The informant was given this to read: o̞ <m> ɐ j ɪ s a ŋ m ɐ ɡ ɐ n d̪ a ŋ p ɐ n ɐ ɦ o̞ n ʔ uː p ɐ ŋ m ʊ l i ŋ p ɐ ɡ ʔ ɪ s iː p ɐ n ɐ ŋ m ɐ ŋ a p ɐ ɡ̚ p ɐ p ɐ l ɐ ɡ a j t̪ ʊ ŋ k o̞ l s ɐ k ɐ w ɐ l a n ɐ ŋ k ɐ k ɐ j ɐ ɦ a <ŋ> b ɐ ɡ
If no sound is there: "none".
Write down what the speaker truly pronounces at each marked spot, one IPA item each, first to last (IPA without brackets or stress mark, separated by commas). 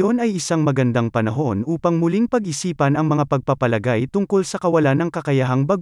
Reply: n, ŋ